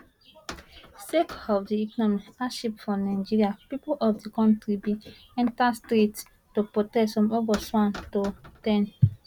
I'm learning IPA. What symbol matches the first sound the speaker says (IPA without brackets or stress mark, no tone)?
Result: s